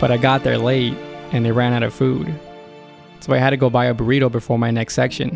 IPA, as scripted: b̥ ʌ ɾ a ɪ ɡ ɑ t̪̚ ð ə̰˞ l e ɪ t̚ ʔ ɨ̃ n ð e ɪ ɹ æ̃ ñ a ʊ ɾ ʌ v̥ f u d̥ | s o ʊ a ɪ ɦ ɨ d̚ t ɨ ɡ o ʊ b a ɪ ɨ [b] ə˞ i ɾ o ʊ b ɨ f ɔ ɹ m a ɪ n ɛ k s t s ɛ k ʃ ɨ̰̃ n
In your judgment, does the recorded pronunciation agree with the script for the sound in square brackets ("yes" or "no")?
yes